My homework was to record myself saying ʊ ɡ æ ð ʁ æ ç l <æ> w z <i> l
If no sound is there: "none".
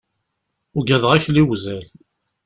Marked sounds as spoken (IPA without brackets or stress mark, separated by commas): i, æ